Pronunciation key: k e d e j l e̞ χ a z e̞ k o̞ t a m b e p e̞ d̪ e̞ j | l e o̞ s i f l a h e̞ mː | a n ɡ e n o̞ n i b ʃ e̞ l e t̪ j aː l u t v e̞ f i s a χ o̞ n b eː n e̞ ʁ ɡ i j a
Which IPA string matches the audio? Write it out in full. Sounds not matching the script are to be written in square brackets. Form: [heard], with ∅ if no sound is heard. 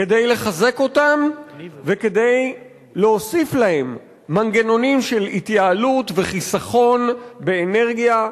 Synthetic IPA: k e d e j l e̞ χ a z e̞ k o̞ t a m [v] e [k] e̞ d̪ e̞ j | l e o̞ s i f l a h e̞ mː | a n ɡ e n o̞ n i [m] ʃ e̞ l [i] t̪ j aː l u t v e̞ [χ] i s a χ o̞ n b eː n e̞ ʁ ɡ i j a